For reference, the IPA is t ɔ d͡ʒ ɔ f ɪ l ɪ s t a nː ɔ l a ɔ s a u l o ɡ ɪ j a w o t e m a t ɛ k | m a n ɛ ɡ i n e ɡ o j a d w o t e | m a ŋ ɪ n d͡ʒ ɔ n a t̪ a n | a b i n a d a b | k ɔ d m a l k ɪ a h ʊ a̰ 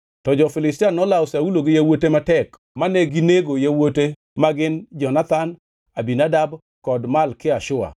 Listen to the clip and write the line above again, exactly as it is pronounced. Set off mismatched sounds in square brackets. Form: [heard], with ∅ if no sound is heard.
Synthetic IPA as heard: t ɔ d͡ʒ ɔ f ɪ l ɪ s t a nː ɔ l a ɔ s a u l o ɡ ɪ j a w o t e m a t ɛ k | m a n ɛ ɡ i n e ɡ o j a [∅] w o t e | m a [ɡ] ɪ n d͡ʒ ɔ n a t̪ a n | a b i n a d a b | k ɔ d m a l k ɪ a [ʃ] ʊ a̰